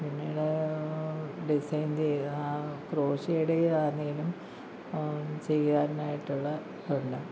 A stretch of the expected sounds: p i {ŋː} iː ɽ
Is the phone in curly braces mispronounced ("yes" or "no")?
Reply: yes